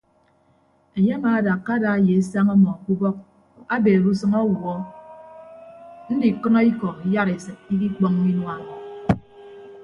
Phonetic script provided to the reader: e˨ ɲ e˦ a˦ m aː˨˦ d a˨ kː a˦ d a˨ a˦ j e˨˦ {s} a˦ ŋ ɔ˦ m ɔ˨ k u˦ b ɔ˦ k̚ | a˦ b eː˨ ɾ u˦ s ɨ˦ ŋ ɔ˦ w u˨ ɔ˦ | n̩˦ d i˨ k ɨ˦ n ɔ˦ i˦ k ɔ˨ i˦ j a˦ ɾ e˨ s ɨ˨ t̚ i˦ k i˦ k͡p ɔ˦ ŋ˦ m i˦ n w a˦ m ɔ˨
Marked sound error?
no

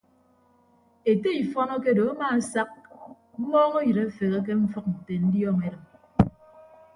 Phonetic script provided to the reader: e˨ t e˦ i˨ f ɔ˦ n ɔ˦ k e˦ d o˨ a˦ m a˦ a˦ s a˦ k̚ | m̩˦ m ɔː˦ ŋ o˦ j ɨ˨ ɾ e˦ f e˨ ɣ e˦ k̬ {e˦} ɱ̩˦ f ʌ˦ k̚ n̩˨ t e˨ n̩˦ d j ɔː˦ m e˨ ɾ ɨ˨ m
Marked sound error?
no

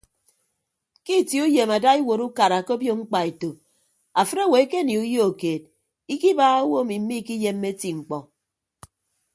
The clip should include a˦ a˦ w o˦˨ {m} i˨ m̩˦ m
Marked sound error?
no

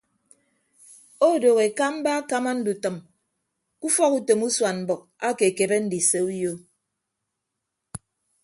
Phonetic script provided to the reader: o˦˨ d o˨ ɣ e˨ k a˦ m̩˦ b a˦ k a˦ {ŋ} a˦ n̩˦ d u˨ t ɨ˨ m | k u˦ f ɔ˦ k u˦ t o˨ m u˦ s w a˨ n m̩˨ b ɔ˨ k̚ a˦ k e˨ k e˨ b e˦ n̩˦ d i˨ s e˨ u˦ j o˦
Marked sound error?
yes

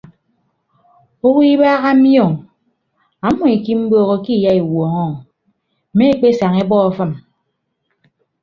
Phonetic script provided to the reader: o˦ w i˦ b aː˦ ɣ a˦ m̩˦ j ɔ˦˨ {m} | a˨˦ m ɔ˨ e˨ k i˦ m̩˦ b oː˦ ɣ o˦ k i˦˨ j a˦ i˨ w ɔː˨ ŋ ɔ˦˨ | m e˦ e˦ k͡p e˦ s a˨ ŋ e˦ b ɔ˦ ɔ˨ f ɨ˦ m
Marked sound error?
yes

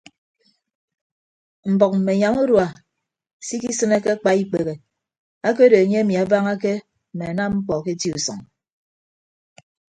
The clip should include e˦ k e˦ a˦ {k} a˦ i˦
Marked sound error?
yes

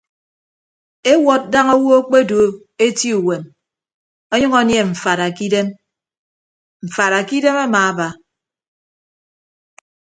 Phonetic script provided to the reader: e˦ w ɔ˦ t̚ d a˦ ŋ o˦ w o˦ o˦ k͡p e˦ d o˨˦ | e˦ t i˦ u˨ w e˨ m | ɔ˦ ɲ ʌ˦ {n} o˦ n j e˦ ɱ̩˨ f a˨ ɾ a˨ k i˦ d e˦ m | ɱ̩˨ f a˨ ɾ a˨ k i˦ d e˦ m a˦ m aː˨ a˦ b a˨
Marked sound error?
yes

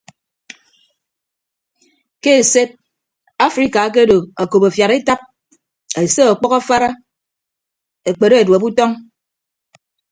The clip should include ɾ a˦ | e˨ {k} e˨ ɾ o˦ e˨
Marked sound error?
yes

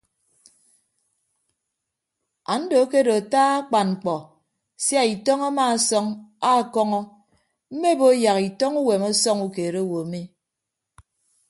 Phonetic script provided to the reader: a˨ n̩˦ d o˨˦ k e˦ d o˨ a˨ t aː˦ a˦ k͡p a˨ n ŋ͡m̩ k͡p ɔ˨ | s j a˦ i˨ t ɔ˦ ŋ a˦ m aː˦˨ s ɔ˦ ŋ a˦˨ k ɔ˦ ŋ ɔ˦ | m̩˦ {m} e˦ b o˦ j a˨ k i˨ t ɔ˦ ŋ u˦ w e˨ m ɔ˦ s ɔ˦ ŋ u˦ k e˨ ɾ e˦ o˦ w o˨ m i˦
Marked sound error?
no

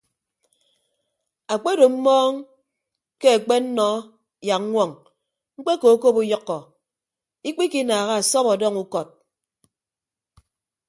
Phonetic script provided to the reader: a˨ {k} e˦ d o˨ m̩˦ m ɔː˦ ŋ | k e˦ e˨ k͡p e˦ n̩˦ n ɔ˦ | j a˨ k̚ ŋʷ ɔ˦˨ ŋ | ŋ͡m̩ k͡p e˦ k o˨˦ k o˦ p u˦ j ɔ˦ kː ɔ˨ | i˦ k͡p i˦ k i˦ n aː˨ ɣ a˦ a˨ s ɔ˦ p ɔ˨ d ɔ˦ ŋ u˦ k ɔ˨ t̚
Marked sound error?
yes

